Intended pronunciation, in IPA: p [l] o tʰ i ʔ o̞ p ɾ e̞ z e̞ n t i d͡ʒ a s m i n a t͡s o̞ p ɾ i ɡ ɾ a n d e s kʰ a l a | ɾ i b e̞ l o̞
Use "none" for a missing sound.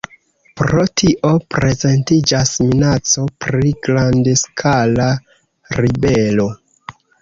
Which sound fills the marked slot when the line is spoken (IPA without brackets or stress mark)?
ɾ